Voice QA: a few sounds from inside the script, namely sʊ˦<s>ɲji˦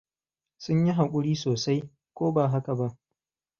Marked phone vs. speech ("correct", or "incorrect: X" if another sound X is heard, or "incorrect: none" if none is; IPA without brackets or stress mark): incorrect: none